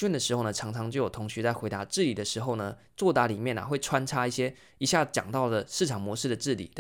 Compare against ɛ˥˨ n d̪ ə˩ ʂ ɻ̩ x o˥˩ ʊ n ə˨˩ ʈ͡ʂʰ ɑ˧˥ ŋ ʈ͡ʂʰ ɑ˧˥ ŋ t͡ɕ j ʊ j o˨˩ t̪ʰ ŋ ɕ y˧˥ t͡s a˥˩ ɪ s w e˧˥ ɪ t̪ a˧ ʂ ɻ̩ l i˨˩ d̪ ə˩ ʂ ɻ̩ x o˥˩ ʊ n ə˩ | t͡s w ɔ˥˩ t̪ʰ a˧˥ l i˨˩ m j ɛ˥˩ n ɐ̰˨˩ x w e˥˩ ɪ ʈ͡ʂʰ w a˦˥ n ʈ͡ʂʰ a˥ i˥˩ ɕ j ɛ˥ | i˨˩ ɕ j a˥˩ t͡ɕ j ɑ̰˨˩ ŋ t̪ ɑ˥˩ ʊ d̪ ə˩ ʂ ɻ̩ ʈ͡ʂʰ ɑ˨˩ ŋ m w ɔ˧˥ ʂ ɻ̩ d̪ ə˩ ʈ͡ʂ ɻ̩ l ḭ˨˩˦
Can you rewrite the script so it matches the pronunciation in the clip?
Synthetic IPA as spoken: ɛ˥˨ n d̪ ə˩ ʂ ɻ̩ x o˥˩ ʊ n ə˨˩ ʈ͡ʂʰ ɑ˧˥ ŋ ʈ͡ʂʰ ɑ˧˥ ŋ t͡ɕ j ʊ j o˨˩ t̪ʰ ŋ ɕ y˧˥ t͡s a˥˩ ɪ x w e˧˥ ɪ t̪ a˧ ʈ͡ʂ ɻ̩ l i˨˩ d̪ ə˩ ʂ ɻ̩ x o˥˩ ʊ n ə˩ | t͡s w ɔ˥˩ t̪ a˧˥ l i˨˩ m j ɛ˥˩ n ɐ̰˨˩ x w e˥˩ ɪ ʈ͡ʂʰ w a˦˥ n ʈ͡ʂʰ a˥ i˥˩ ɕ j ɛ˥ | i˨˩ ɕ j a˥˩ t͡ɕ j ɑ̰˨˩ ŋ t̪ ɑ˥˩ ʊ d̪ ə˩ ʂ ɻ̩ ʈ͡ʂʰ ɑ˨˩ ŋ m w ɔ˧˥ ʂ ɻ̩ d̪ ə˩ ʈ͡ʂ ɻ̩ l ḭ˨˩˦